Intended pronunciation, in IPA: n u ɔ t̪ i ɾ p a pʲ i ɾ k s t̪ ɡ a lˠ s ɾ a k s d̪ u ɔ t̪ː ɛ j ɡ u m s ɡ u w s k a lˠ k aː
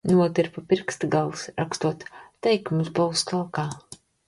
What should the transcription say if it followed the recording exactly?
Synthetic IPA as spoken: n u ɔ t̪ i ɾ p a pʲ i ɾ k s t̪ ɡ a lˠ s ɾ a k s t̪ u ɔ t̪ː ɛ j k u m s b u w s k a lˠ k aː